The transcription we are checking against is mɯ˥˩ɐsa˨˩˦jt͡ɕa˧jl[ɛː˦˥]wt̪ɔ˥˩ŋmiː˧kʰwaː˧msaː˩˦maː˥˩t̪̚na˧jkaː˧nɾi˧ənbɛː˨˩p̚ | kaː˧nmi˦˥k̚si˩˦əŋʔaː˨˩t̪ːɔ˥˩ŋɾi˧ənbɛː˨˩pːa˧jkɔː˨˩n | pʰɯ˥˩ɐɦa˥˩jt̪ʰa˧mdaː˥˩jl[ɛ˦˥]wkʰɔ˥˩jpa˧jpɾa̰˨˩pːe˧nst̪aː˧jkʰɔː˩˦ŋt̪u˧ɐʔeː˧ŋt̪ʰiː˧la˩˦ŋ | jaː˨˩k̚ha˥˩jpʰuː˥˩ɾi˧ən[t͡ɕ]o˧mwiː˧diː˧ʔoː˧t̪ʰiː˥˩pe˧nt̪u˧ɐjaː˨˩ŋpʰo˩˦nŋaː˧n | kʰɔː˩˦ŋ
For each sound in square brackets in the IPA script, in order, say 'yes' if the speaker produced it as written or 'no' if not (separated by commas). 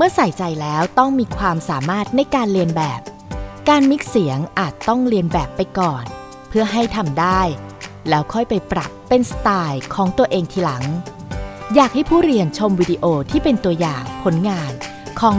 yes, no, no